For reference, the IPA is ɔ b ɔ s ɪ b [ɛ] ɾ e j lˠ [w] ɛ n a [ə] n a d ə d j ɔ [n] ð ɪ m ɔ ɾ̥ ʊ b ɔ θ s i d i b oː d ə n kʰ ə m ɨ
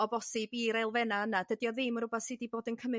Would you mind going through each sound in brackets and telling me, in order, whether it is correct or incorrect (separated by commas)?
incorrect, incorrect, correct, incorrect